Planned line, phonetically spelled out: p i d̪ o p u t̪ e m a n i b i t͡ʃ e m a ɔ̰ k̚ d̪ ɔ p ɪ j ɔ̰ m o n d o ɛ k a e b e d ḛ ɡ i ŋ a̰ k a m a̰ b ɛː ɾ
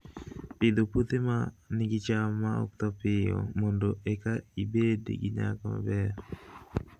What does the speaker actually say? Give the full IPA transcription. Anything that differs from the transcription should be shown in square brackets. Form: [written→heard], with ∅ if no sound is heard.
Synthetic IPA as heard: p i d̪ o p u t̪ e m a n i [b→ɡ] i t͡ʃ [e→a] m a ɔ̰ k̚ [d̪→t̪] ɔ p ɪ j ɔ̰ m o n d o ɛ k a [e→i] b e d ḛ ɡ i [ŋ→ɲ] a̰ k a m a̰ b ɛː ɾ